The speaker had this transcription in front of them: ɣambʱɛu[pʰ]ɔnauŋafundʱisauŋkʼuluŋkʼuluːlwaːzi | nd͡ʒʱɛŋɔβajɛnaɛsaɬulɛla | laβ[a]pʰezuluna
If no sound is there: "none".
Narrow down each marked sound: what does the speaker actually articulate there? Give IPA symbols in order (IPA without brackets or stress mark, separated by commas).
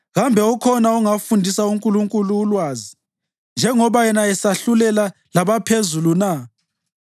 kʰ, a